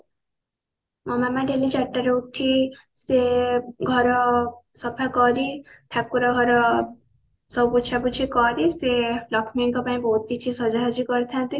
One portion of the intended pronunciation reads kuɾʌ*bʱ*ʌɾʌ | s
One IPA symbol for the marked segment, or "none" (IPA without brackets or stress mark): ɡʱ